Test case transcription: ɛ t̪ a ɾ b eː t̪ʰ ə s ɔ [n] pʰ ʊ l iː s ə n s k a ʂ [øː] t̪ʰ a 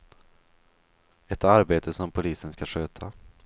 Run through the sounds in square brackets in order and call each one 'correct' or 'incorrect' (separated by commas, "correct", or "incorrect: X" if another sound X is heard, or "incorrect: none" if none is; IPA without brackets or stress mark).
incorrect: m, correct